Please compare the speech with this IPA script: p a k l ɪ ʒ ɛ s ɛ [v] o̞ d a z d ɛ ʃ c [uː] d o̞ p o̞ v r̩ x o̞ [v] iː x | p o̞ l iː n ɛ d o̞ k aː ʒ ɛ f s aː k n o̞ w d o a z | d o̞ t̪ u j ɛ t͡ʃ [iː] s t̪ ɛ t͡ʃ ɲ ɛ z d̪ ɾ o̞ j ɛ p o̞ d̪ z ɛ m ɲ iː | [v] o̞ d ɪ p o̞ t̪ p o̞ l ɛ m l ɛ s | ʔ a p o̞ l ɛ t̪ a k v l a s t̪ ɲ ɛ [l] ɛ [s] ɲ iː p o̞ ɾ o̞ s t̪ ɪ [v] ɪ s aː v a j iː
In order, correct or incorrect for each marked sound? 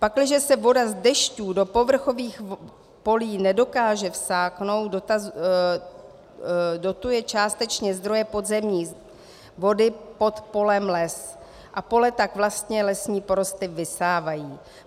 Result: correct, correct, correct, incorrect, correct, correct, correct, correct

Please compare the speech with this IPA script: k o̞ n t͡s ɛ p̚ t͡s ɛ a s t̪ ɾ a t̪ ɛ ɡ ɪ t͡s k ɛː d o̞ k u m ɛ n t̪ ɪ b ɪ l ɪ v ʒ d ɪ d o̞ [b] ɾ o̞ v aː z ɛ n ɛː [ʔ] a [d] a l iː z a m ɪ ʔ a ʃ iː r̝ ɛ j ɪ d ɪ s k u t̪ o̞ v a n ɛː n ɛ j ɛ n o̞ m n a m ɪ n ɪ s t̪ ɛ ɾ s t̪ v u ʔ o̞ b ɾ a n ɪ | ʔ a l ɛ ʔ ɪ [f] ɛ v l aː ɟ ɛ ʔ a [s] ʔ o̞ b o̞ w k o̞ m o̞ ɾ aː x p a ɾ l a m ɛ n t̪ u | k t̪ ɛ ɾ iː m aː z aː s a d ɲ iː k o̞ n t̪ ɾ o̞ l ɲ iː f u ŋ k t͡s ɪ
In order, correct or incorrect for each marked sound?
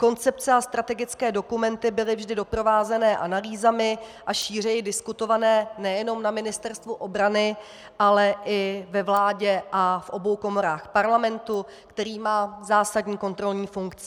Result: incorrect, correct, incorrect, incorrect, incorrect

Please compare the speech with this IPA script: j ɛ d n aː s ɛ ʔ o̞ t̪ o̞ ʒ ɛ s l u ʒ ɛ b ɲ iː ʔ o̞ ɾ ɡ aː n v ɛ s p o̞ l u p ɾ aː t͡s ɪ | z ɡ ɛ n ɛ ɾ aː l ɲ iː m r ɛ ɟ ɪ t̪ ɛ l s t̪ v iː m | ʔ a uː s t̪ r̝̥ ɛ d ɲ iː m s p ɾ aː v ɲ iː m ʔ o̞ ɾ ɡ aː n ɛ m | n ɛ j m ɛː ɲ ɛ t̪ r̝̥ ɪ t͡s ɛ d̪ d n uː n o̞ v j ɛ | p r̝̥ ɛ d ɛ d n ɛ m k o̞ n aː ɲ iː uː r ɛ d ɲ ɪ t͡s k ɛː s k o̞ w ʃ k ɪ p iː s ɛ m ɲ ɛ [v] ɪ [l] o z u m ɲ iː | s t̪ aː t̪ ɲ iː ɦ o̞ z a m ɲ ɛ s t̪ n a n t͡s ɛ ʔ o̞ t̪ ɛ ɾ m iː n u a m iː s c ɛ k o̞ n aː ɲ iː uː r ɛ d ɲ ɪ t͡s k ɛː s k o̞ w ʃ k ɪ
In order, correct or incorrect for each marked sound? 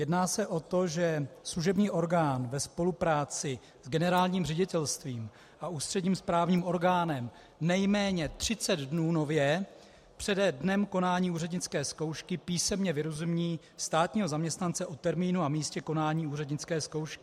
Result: correct, incorrect

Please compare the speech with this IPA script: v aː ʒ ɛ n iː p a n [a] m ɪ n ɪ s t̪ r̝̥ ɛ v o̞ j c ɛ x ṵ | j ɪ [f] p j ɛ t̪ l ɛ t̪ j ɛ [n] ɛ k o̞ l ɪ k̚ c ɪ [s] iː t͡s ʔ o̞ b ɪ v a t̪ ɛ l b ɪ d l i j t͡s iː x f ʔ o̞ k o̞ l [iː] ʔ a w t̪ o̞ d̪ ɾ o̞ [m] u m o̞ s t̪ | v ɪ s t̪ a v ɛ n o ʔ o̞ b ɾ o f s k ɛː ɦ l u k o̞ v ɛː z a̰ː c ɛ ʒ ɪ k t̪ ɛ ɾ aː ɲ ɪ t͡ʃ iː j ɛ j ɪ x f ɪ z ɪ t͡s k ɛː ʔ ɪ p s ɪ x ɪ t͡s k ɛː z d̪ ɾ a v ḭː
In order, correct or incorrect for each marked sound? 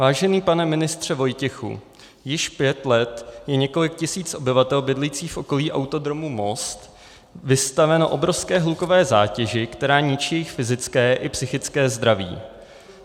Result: incorrect, incorrect, incorrect, correct, correct, correct

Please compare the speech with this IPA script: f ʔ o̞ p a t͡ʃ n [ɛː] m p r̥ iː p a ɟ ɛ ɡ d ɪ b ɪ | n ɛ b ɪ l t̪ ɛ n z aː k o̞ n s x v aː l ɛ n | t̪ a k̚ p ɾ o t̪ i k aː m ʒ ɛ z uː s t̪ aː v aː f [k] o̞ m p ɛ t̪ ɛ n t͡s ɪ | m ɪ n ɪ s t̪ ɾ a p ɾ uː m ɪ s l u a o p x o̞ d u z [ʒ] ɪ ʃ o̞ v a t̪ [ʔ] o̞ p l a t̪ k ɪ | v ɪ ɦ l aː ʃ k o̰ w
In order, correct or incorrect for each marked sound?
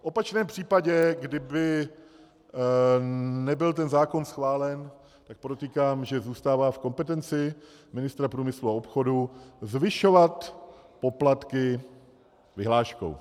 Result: correct, correct, incorrect, incorrect

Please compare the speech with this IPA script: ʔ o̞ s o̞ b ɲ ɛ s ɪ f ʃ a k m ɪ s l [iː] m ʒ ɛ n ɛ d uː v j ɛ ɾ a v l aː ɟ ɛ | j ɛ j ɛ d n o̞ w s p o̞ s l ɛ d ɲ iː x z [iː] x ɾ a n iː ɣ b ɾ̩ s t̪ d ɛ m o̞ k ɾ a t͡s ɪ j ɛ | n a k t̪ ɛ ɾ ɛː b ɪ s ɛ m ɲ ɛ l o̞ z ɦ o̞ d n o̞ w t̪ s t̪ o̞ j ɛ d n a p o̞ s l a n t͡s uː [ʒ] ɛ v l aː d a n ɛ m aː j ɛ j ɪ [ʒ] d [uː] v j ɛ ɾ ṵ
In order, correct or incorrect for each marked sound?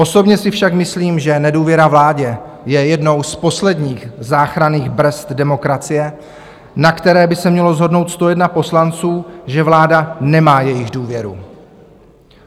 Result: correct, incorrect, correct, incorrect, correct

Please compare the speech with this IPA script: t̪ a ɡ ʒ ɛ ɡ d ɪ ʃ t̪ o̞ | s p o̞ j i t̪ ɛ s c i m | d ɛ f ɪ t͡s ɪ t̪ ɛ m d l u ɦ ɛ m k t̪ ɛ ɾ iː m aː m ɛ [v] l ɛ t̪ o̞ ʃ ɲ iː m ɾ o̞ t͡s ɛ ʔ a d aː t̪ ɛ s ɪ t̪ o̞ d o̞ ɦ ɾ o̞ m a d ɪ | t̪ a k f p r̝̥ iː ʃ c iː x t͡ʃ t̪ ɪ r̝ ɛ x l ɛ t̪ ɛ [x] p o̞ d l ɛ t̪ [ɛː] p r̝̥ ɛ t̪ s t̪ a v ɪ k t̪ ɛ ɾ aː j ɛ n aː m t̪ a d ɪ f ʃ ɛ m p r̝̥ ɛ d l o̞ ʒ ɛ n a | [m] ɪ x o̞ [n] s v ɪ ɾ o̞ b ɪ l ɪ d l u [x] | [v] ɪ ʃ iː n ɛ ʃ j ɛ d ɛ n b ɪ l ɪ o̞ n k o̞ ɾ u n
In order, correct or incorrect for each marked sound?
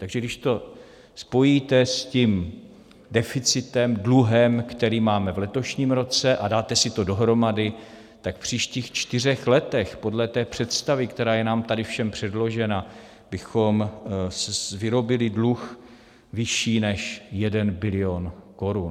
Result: correct, correct, correct, incorrect, incorrect, correct, correct

